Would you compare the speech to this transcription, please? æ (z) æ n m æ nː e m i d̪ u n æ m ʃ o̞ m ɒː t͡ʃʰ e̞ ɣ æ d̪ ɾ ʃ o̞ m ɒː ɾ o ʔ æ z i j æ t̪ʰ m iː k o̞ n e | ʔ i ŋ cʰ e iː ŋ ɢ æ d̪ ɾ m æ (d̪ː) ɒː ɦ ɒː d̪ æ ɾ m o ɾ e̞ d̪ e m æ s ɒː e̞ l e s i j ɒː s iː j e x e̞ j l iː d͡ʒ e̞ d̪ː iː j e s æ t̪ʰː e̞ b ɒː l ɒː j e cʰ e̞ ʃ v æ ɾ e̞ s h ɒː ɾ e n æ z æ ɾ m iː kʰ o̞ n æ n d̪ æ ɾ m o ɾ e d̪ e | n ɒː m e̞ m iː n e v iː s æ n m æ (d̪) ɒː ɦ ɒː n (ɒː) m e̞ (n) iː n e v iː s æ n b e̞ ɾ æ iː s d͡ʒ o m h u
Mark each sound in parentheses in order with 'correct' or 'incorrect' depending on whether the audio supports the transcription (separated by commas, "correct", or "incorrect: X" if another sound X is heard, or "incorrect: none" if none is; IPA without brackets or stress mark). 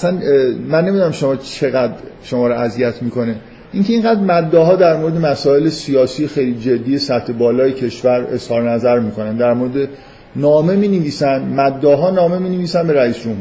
incorrect: s, correct, incorrect: d̪ː, correct, incorrect: m